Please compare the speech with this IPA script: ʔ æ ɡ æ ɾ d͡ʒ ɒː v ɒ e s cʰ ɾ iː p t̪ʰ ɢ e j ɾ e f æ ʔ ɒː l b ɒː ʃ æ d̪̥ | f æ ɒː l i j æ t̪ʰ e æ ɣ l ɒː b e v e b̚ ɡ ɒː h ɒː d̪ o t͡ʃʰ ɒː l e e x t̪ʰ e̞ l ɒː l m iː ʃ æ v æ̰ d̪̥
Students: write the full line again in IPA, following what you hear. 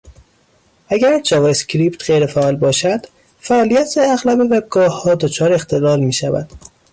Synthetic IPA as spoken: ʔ æ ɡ æ ɾ d͡ʒ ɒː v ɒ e s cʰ ɾ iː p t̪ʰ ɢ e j ɾ e f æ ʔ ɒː l b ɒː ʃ æ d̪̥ | f æ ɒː l i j æ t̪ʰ e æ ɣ l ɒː b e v e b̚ ɡ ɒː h ɒː d̪ o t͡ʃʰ ɒː ɾ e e x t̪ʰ e̞ l ɒː l m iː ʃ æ v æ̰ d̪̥